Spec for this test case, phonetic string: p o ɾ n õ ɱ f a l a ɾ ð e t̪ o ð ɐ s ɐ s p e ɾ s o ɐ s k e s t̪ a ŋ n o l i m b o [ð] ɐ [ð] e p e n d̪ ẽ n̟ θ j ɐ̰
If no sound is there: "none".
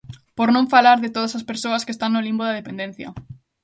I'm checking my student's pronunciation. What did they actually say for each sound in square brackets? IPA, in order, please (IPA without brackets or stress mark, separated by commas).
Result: ð, ð